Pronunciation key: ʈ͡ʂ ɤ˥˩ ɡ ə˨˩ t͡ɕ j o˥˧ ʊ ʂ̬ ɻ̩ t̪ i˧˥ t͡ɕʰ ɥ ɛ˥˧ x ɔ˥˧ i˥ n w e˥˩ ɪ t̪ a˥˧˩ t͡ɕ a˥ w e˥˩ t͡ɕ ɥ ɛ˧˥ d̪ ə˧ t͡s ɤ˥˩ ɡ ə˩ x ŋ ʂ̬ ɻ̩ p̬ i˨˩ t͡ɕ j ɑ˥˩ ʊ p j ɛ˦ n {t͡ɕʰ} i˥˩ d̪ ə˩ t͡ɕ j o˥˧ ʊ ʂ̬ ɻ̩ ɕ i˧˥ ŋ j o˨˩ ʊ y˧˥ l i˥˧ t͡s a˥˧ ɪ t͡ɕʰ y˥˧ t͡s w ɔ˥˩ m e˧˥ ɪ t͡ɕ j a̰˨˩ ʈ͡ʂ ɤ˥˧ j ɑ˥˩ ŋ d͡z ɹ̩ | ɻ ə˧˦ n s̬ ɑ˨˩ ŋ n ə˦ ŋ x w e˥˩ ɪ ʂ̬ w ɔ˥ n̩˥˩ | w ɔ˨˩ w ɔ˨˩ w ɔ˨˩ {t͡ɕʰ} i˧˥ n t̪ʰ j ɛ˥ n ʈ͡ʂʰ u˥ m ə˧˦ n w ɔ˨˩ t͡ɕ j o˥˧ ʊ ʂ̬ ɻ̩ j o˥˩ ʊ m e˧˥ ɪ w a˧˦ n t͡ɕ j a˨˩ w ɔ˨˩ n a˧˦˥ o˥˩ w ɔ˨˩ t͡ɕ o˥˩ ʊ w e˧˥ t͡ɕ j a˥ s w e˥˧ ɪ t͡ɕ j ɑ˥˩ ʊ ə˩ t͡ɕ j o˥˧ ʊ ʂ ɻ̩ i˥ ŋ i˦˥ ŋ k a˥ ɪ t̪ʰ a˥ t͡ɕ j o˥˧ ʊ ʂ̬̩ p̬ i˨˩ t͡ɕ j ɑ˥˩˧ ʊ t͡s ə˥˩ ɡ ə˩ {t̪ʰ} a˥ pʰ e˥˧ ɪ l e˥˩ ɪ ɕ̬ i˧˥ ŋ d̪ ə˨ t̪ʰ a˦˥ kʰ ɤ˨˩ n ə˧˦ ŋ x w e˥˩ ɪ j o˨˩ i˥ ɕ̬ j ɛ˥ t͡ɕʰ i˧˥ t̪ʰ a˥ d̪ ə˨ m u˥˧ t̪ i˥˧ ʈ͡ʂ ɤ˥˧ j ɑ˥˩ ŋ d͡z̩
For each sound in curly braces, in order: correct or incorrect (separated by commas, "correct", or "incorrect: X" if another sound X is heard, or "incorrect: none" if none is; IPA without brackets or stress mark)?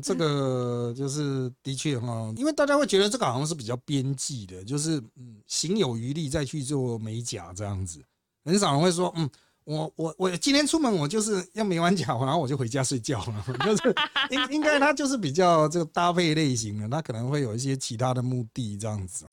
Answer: incorrect: t͡ɕ, incorrect: t͡ɕ, incorrect: t̪